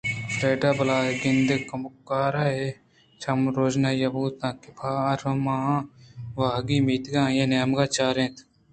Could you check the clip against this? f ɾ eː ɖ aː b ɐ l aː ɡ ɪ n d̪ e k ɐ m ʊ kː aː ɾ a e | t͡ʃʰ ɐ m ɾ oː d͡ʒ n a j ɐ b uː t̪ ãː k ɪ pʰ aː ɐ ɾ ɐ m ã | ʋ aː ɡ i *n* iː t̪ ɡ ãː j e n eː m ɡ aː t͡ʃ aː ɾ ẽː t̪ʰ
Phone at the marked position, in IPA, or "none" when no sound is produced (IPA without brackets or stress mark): m